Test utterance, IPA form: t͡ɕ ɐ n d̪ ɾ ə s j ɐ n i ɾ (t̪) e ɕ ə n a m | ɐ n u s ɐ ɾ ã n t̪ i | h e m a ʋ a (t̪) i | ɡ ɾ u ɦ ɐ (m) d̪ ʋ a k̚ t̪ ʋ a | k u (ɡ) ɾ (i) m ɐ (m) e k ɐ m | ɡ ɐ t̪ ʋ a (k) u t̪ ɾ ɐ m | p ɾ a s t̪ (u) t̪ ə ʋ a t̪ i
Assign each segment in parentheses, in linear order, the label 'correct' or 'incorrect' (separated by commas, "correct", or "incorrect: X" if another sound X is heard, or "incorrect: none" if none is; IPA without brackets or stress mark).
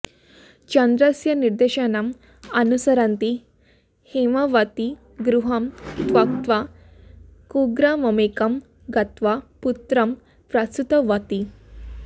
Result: incorrect: d̪, correct, correct, correct, incorrect: a, correct, incorrect: p, correct